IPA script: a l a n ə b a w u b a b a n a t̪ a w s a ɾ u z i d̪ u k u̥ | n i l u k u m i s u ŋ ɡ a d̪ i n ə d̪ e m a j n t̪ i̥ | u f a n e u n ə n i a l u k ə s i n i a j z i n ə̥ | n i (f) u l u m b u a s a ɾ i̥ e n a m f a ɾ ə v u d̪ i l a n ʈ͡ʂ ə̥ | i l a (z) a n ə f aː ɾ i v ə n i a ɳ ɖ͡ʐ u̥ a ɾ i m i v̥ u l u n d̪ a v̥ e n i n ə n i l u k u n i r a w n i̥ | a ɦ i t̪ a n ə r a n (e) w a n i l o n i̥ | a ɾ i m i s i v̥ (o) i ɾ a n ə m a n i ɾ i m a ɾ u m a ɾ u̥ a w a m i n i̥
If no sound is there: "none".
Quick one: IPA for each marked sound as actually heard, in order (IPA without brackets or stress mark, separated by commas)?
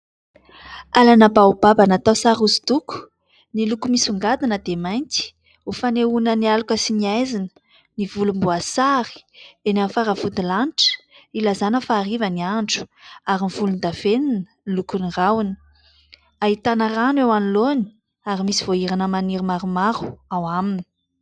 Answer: v, z, e, o